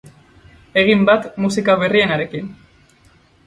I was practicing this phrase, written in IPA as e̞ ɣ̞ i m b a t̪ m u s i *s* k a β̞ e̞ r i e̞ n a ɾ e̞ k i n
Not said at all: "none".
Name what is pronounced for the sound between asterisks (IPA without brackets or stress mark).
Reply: none